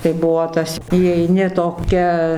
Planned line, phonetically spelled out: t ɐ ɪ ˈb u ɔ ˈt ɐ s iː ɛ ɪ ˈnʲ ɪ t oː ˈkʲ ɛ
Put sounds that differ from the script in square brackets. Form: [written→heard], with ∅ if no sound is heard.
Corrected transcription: t ɐ ɪ ˈb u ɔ ˈt ɐ s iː ɛ ɪ ˈnʲ ɪ t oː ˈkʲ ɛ